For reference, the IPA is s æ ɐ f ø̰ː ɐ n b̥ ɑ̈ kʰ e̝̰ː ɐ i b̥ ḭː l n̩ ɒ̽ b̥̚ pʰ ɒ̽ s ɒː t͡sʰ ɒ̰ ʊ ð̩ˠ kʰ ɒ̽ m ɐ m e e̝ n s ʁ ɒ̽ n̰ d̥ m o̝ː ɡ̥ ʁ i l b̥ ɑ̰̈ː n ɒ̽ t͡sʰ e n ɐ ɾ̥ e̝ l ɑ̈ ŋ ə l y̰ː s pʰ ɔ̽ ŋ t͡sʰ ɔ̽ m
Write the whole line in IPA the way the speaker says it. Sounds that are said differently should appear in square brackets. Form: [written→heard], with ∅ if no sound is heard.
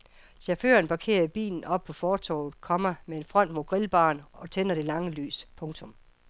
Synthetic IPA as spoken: s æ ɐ f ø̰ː ɐ n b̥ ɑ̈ kʰ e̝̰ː ɐ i b̥ ḭː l n̩ ɒ̽ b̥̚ pʰ ɒ̽ [s→f] ɒː t͡sʰ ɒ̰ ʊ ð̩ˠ kʰ ɒ̽ m ɐ m e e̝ n [s→f] ʁ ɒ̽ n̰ d̥ m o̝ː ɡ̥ ʁ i l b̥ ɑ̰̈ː n ɒ̽ t͡sʰ e n ɐ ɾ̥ e̝ l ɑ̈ ŋ ə l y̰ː s pʰ ɔ̽ ŋ t͡sʰ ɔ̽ m